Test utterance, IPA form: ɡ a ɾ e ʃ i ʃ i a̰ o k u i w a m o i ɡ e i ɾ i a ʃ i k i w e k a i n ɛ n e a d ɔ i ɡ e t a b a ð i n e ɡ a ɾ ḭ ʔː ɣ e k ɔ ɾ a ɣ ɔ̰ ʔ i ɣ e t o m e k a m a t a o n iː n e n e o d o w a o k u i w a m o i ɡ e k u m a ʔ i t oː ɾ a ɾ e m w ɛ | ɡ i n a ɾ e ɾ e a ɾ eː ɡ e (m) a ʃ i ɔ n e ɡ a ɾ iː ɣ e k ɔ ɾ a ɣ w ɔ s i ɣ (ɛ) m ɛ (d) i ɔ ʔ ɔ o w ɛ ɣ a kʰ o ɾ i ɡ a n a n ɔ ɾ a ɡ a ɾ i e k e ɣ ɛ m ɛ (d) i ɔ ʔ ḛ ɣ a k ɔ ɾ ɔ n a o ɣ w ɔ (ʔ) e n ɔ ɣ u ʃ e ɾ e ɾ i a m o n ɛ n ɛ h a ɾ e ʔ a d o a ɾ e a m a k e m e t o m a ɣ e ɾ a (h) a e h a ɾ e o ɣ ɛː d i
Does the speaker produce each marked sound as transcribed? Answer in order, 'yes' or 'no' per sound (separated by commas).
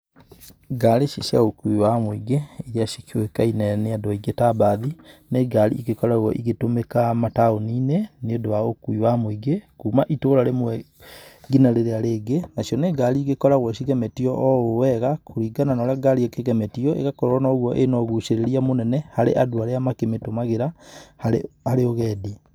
no, yes, no, no, yes, yes